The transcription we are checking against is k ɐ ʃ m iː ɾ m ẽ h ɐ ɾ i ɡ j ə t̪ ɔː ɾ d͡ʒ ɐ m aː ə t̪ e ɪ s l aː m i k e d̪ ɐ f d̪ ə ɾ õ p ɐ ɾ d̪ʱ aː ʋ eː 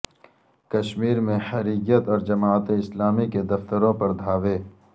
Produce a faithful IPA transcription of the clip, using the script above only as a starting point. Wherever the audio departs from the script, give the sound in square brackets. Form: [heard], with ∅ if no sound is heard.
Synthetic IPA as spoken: k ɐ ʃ m iː ɾ m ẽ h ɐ ɾ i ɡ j ə t̪ ɔː ɾ d͡ʒ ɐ m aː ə t̪ e ɪ s l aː m i k e d̪ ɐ f [t̪] ə ɾ õ p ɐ ɾ d̪ʱ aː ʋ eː

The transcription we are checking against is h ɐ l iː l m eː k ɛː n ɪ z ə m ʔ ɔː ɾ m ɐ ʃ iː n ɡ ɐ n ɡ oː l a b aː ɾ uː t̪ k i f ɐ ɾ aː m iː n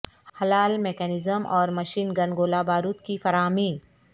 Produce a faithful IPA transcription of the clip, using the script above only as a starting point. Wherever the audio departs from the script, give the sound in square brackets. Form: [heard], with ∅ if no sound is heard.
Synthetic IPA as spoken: h ɐ l [aː] l m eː k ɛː n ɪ z ə m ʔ ɔː ɾ m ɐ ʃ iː n ɡ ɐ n ɡ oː l a b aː ɾ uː t̪ k i f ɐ ɾ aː m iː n

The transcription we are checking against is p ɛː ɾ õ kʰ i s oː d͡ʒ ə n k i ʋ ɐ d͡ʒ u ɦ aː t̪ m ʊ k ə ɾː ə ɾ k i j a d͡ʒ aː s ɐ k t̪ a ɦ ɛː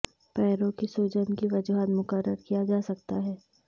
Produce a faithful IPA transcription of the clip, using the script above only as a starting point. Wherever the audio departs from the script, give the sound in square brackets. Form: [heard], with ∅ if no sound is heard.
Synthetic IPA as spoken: p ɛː ɾ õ [k] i s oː d͡ʒ ə n k i ʋ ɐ d͡ʒ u ɦ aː t̪ m ʊ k ə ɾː ə ɾ k i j a d͡ʒ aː s ɐ k t̪ a ɦ ɛː

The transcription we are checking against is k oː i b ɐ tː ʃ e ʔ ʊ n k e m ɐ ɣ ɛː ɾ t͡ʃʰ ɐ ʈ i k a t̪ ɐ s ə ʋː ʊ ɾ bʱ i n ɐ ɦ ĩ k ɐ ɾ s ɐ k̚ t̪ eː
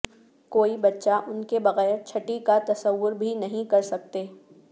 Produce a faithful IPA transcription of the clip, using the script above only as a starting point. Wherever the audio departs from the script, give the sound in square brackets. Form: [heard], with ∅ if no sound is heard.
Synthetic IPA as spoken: k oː i b ɐ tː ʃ [a] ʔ ʊ n k e [b] ɐ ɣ ɛː ɾ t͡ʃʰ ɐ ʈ i k a t̪ ɐ s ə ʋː ʊ ɾ bʱ i n ɐ ɦ ĩ k ɐ ɾ s ɐ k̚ t̪ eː

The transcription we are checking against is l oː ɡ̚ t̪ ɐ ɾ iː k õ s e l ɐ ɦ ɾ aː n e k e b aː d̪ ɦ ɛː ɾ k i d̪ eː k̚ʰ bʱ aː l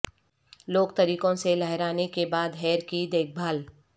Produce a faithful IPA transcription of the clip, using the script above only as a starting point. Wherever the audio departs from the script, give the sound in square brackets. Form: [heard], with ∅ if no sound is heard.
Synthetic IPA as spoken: l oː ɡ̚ t̪ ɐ ɾ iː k õ s e l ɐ ɦ ɾ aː n e k e b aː d̪ ɦ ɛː ɾ k i d̪ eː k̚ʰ bʱ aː l

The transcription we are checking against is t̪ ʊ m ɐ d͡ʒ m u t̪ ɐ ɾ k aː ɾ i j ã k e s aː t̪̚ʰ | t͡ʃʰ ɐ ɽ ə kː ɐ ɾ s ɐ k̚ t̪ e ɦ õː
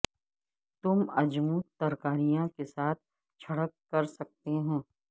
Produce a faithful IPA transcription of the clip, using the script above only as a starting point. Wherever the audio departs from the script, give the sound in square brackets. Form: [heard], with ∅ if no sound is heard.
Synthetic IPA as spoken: t̪ ʊ m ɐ d͡ʒ m u t̪ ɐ ɾ k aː ɾ i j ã k e s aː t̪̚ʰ | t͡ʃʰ ɐ ɽ ə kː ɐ ɾ s ɐ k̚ t̪ e ɦ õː

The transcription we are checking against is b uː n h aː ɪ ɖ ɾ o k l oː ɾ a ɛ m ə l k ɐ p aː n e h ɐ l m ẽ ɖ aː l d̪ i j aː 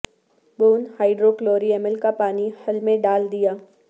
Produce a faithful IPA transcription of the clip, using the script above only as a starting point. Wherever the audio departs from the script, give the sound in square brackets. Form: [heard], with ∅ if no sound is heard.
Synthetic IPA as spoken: b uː n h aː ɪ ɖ ɾ o k l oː ɾ [i] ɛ m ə l k [a] p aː n [i] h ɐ l m ẽ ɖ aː l d̪ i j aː

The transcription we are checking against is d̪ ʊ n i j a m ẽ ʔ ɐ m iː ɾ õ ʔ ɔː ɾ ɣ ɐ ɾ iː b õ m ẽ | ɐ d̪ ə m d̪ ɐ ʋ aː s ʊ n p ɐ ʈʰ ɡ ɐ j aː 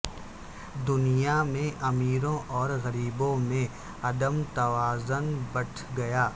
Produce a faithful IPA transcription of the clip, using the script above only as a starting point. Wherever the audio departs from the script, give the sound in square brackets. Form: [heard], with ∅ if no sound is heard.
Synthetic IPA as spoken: d̪ ʊ n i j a m ẽ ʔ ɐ m iː ɾ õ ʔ ɔː ɾ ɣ ɐ ɾ iː b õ m ẽ | ɐ d̪ ə m [t̪] ɐ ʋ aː [z] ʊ n [b] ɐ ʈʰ ɡ ɐ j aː

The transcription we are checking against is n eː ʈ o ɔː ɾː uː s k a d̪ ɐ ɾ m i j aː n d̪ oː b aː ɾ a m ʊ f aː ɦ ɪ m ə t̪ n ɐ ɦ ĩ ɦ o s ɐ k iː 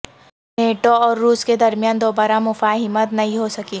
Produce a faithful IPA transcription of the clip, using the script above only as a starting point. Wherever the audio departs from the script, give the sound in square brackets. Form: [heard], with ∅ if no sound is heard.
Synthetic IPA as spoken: n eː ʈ o ɔː ɾː uː s k [e] d̪ ɐ ɾ m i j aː n d̪ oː b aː ɾ a m ʊ f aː ɦ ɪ m ə t̪ n ɐ ɦ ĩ ɦ o s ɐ k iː

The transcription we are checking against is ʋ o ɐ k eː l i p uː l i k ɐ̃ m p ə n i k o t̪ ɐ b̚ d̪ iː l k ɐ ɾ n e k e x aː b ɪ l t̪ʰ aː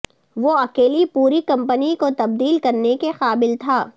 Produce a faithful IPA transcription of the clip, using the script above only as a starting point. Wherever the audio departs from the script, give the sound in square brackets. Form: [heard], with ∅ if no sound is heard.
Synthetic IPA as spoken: ʋ o ɐ k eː l i p uː [ɾ] i k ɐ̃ m p ə n i k o t̪ ɐ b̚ d̪ iː l k ɐ ɾ n e k e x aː b ɪ l t̪ʰ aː

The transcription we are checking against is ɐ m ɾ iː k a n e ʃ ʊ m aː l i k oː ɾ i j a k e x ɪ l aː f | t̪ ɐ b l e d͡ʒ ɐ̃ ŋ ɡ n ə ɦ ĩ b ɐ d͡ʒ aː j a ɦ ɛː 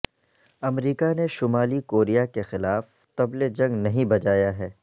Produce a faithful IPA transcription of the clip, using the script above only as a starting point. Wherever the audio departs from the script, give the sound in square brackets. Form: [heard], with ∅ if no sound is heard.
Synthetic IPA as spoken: ɐ m ɾ iː k a n e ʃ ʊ m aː l i k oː ɾ i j a k e x ɪ l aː f | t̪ ɐ b l e d͡ʒ ɐ̃ ŋ ɡ n [ɐ] ɦ ĩ b ɐ d͡ʒ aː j a ɦ ɛː

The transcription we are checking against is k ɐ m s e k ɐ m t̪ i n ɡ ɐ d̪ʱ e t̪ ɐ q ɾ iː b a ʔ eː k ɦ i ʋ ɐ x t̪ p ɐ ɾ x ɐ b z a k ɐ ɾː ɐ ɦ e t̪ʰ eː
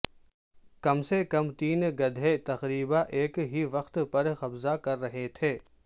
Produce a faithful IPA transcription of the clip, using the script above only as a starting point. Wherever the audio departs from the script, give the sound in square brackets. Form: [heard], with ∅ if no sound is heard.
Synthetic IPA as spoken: k ɐ m s e k ɐ m t̪ [iː] n ɡ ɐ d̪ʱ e t̪ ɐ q ɾ iː b a ʔ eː k ɦ i ʋ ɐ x t̪ p ɐ ɾ x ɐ b z a k ɐ ɾː ɐ ɦ e t̪ʰ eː

